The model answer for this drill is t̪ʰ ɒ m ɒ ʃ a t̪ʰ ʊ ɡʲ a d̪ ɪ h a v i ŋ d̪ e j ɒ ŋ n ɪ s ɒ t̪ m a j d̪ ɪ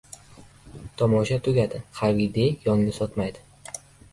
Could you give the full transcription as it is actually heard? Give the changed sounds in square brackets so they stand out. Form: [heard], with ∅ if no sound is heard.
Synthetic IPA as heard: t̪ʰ ɒ m ɒ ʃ a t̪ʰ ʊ ɡʲ a d̪ ɪ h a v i [∅] d̪ e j ɒ ŋ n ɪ s ɒ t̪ m a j d̪ ɪ